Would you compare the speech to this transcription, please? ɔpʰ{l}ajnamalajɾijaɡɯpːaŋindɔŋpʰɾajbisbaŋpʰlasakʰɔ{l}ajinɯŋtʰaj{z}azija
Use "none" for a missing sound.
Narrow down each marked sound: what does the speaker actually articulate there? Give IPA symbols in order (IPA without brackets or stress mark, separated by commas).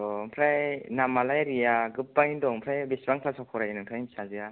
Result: ɾ, ɾ, s